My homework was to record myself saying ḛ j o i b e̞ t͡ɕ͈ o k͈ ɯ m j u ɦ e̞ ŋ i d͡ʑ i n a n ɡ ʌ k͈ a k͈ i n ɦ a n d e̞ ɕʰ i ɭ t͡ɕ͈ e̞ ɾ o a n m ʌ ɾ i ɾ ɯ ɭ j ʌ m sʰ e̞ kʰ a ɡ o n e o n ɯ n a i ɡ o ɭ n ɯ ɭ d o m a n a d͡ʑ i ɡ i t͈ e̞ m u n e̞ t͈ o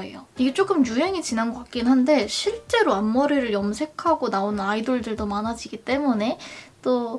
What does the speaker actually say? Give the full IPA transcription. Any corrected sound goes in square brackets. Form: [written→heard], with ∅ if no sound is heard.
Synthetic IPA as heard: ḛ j o i [b→ɡ] e̞ t͡ɕ͈ o k͈ ɯ m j u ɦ e̞ ŋ i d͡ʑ i n a n ɡ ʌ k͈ a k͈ i n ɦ a n d e̞ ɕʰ i ɭ t͡ɕ͈ e̞ ɾ o a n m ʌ ɾ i ɾ ɯ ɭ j ʌ m sʰ e̞ kʰ a ɡ o n [e→a] o n ɯ n a i [ɡ→d] o ɭ [n→d] ɯ ɭ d o m a n a d͡ʑ i ɡ i t͈ e̞ m u n e̞ t͈ o